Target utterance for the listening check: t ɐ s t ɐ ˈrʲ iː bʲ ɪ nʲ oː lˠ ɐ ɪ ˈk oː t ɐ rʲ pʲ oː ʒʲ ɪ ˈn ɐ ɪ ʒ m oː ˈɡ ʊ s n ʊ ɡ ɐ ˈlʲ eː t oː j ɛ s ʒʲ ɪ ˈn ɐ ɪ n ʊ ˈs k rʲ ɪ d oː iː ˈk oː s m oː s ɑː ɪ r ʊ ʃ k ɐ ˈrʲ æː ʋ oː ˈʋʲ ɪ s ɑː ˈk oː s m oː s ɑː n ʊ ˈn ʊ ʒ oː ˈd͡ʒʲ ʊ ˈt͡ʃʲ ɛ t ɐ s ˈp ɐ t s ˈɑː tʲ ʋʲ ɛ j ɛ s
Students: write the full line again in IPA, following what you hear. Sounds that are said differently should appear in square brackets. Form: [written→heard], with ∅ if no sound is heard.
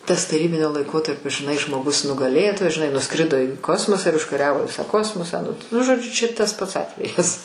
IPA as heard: t ɐ s t ɐ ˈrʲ iː bʲ ɪ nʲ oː lˠ ɐ ɪ ˈk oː t ɐ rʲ pʲ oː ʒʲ ɪ ˈn ɐ ɪ ʒ m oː ˈɡ ʊ s n ʊ ɡ ɐ ˈlʲ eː t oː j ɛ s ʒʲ ɪ ˈn ɐ ɪ n ʊ ˈs k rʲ ɪ d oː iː ˈk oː s m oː s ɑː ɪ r ʊ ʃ k ɐ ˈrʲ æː ʋ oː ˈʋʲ ɪ s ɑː ˈk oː s m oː s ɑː n ʊ ˈn ʊ ʒ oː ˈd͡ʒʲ ʊ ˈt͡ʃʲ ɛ t ɐ s ˈp ɐ t s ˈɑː tʲ ʋʲ ɛ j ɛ s